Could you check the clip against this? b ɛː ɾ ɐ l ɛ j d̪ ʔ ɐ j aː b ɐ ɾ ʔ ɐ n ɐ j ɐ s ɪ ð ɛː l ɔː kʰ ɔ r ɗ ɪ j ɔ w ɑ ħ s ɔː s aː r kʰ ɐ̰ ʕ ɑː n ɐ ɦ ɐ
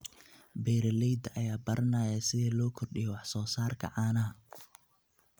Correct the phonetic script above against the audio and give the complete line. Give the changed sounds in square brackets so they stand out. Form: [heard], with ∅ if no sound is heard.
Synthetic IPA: b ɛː ɾ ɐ l ɛ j d̪ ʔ ɐ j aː b ɐ ɾ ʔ ɐ n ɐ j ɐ s ɪ ð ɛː l ɔː kʰ ɔ r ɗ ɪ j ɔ w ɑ ħ s ɔː s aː r kʰ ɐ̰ ʕ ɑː n ɐ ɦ ɐ